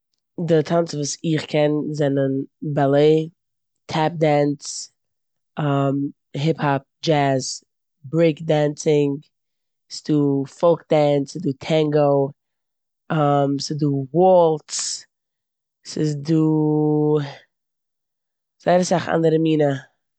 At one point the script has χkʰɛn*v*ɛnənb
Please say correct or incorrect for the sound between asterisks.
incorrect